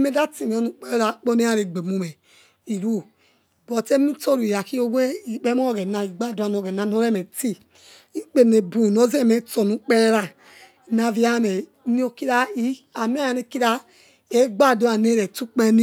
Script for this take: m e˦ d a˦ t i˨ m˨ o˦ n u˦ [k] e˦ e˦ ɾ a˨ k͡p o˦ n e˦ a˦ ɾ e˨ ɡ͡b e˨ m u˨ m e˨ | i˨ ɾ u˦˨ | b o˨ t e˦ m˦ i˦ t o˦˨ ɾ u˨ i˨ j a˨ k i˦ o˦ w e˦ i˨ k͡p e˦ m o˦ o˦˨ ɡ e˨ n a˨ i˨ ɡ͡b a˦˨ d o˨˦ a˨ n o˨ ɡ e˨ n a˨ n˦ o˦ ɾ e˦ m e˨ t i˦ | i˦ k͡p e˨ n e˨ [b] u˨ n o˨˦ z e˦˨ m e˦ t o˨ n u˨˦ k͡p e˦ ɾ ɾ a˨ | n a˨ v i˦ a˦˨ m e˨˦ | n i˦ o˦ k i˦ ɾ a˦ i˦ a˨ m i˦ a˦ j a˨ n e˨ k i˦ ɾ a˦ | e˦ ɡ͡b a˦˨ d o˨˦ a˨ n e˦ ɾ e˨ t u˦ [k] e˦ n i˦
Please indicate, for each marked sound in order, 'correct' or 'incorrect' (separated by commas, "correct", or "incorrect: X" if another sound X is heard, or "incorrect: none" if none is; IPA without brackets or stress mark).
incorrect: k͡p, correct, incorrect: k͡p